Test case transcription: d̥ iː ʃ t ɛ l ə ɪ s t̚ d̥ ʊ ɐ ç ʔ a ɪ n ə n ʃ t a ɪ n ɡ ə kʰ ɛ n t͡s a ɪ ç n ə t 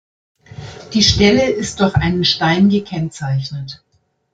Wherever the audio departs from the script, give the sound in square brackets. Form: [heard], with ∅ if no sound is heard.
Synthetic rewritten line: d̥ iː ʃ t ɛ l ə ɪ s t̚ d̥ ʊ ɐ ç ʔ a ɪ n ə n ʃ t a ɪ n ɡ ə kʰ ɛ n t͡s a ɪ ç n ə t